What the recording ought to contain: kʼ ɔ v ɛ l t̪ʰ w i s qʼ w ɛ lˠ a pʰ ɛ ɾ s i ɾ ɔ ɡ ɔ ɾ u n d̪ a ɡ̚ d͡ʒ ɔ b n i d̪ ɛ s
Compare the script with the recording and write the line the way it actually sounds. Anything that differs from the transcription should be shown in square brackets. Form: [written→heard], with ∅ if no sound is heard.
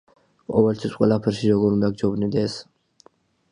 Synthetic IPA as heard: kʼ ɔ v ɛ l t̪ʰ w i s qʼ w ɛ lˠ a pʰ ɛ ɾ [s→ʃ] i ɾ ɔ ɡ ɔ ɾ u n d̪ a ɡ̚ d͡ʒ ɔ b n i d̪ ɛ s